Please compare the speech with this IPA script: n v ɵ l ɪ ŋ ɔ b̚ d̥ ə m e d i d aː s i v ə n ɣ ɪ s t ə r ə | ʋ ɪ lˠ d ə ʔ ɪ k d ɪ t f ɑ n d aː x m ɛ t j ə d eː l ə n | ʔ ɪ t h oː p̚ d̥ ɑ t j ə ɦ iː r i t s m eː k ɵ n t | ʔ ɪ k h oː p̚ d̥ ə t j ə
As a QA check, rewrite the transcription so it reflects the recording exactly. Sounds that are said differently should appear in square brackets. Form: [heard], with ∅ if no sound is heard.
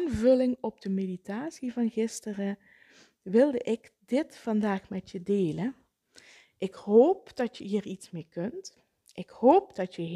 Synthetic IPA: n v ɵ l ɪ ŋ ɔ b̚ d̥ ə m e d i [t] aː s i v [ɑ] n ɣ ɪ s t ə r ə | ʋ ɪ lˠ d ə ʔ ɪ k d ɪ t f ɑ n d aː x m ɛ t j ə d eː l ə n | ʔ ɪ [k] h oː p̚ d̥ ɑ t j ə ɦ iː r i t s m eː k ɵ n t | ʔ ɪ k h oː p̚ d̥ [ɑ] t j ə